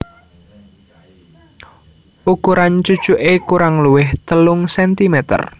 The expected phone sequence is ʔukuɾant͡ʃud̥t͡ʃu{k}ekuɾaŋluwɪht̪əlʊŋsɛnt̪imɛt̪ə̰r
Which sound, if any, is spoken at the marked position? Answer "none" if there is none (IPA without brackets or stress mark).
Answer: ʔ